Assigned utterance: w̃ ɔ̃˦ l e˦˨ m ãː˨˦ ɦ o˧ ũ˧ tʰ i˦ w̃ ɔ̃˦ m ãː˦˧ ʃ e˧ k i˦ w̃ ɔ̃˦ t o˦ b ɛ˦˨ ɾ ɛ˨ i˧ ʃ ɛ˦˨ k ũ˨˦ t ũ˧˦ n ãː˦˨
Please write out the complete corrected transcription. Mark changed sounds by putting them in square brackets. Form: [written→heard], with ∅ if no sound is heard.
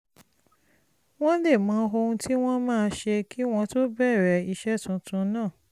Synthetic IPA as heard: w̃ ɔ̃˦ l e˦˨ m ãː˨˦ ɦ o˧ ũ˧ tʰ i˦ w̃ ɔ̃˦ m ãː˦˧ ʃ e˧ k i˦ w̃ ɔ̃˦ t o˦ b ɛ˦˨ ɾ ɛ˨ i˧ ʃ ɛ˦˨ [k→t] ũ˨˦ t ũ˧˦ n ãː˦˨